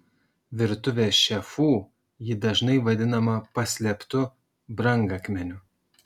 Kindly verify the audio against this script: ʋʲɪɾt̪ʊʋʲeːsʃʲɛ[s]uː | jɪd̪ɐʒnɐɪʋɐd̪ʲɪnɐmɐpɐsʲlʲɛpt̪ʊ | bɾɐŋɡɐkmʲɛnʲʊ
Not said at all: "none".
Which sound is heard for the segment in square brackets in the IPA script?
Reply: f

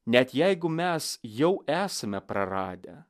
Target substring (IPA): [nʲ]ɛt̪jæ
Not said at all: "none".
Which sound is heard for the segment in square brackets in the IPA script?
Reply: nʲ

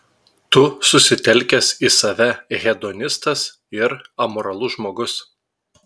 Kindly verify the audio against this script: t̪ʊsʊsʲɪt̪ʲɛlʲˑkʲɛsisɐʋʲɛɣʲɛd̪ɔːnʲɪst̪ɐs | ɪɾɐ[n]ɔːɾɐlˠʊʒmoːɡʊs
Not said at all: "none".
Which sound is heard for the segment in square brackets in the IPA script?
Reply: m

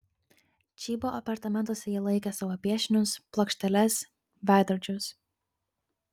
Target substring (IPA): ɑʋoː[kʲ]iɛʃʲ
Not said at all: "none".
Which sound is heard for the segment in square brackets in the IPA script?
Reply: pʲ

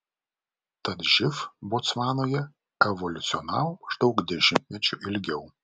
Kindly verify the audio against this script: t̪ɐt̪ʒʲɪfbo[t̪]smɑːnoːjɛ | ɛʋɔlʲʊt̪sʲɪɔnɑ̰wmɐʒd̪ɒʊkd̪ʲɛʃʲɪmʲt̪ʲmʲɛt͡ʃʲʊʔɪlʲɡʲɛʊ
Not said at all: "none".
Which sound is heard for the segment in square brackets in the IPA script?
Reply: t̪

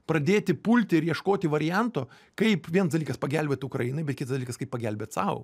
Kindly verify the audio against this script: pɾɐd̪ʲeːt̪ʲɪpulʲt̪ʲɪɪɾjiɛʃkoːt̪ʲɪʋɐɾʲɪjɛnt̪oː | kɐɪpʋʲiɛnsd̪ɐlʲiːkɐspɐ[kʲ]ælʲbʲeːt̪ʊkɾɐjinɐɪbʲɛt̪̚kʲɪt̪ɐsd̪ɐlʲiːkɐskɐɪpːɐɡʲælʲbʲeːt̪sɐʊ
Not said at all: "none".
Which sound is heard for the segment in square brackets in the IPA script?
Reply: ɡʲ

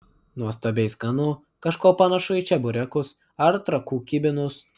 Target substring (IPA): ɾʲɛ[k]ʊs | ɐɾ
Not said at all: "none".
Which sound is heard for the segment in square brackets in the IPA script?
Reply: k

